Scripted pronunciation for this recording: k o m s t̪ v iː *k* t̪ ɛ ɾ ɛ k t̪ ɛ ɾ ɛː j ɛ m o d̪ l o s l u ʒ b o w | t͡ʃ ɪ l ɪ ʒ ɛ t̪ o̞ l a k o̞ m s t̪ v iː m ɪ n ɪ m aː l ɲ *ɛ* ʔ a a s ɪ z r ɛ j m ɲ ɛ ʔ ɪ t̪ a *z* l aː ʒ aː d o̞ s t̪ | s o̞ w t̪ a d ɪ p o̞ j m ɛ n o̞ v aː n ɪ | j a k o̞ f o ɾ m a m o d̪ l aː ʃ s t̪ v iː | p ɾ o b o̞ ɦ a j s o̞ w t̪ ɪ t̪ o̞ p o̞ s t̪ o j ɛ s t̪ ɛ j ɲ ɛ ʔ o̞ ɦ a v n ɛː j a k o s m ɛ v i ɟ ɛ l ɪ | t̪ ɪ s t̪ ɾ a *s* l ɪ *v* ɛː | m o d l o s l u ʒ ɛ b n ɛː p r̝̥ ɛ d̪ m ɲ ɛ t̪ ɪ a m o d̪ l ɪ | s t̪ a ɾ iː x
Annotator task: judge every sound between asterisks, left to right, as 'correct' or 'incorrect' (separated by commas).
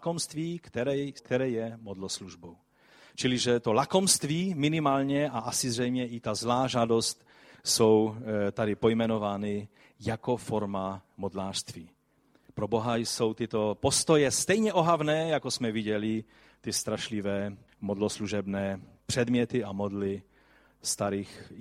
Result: correct, correct, correct, incorrect, correct